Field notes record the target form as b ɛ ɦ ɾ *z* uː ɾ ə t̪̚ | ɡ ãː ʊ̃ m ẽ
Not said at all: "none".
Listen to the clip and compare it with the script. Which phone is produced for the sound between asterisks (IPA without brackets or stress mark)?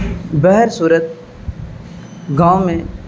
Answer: s